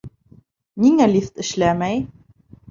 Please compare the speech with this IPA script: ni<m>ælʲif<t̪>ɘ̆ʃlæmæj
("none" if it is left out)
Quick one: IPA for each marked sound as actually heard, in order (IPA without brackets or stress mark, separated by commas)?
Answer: ŋ, t̪